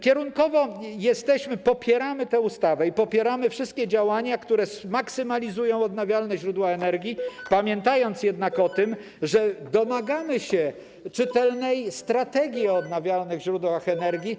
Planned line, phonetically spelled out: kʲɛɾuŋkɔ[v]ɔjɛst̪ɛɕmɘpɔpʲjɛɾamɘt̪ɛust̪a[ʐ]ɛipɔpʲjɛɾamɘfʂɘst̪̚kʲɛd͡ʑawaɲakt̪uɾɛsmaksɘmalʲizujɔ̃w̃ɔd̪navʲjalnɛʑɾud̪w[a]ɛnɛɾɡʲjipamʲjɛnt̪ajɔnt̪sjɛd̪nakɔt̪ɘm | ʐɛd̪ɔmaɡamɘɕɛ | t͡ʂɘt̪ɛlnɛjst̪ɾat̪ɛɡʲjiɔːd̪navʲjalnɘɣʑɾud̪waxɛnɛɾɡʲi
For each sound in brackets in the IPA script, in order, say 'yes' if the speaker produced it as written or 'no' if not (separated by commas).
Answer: yes, no, yes